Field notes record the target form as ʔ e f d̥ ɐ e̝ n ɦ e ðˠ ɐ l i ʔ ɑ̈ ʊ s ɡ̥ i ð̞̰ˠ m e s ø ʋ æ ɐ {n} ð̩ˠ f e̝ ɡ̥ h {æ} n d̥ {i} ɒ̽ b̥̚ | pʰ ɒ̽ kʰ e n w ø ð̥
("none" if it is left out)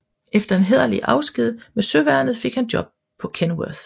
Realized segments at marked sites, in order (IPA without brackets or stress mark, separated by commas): n, æ, j